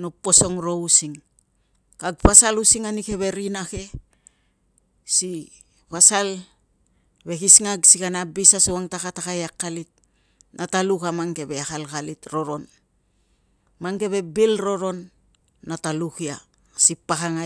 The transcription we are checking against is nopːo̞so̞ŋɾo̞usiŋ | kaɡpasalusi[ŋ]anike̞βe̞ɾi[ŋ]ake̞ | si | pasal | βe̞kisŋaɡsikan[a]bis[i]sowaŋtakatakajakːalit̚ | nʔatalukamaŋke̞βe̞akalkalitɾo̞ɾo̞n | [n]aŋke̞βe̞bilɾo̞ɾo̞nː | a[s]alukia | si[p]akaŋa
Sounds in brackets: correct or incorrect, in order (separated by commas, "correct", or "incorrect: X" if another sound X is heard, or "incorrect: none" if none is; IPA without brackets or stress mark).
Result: correct, incorrect: n, correct, incorrect: a, incorrect: m, incorrect: t, correct